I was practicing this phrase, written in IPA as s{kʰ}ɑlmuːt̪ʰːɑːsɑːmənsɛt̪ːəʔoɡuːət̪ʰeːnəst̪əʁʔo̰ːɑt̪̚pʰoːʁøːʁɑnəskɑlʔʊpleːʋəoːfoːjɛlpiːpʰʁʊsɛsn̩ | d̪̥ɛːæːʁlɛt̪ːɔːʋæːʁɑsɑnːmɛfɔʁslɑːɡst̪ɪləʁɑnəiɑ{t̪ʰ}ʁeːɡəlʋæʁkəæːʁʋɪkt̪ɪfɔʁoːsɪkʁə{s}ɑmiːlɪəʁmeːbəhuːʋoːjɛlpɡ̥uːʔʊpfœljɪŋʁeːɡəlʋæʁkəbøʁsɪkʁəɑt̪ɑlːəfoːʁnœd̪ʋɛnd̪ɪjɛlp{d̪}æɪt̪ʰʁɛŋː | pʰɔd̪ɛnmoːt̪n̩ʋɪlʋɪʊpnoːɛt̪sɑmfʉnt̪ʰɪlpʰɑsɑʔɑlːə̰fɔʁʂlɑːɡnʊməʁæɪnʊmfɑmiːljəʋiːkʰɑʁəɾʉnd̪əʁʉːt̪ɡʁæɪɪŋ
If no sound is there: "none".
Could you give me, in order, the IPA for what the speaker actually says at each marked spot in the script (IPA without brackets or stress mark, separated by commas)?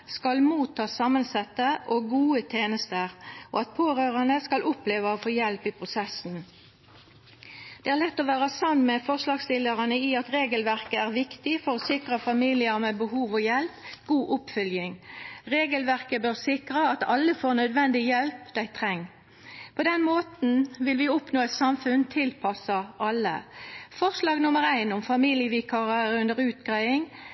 k, t̪, f, d̪